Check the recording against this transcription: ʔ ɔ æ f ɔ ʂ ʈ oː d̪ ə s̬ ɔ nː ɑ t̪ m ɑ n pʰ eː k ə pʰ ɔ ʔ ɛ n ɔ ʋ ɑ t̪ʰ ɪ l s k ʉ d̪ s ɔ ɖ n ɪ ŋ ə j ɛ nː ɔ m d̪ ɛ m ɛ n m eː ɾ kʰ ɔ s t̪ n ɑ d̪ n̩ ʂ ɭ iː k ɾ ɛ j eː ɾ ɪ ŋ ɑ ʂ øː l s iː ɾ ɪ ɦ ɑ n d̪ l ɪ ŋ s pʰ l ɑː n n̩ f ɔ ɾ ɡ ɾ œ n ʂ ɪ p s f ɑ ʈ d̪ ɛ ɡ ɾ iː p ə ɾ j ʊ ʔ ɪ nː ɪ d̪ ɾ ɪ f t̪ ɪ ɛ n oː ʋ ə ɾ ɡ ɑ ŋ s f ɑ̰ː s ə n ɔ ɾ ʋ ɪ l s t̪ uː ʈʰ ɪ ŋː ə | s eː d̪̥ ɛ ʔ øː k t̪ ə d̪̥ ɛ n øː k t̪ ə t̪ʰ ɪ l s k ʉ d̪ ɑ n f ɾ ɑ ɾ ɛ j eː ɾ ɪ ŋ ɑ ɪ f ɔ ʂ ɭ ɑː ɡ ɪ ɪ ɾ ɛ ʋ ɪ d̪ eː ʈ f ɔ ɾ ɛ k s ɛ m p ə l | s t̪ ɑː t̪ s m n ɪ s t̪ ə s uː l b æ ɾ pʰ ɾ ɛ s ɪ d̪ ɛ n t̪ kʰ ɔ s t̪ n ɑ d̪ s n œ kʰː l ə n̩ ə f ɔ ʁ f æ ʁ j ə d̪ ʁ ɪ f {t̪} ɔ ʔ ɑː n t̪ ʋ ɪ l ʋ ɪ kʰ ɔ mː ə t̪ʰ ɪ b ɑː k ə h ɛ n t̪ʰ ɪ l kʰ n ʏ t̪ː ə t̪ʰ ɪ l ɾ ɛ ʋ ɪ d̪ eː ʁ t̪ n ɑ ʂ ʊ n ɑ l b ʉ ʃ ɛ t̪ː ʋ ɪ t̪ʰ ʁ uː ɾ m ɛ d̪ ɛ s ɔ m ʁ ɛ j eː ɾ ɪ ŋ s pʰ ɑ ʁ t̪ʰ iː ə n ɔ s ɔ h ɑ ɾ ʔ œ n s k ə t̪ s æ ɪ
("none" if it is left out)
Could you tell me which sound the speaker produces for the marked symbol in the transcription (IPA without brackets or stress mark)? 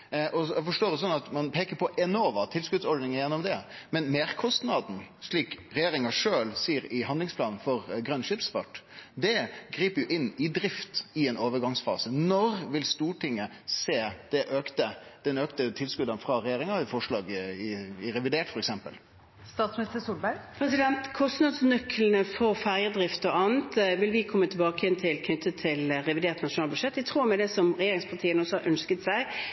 t̪